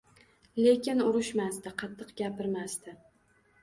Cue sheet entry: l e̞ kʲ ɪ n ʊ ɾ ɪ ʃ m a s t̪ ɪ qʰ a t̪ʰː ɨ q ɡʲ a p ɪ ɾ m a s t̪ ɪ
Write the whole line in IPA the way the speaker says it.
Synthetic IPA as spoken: l e̞ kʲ ɪ n ʊ ɾ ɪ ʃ m a s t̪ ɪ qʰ ɑ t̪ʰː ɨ q ɡʲ a p ɪ ɾ m a s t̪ ɪ